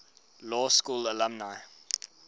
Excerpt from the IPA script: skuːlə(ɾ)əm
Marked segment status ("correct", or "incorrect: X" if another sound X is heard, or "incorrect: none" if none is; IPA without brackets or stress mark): incorrect: l